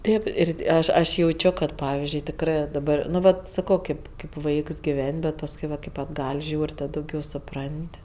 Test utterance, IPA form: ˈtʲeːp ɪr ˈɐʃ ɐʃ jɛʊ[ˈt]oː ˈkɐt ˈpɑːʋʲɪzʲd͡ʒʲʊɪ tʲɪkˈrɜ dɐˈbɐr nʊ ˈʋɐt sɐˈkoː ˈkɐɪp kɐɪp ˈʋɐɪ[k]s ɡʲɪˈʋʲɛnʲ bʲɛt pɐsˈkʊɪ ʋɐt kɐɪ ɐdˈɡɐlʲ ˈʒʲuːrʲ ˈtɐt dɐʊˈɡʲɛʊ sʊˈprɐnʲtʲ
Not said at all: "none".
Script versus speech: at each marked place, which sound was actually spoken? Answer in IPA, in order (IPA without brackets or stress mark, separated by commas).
t͡ʃʲ, k